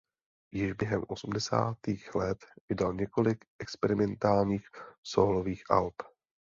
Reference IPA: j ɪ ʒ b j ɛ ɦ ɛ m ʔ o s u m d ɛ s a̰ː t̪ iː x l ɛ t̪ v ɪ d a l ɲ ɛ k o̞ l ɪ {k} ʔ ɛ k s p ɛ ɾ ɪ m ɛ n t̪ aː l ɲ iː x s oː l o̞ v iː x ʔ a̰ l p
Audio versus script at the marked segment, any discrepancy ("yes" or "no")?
no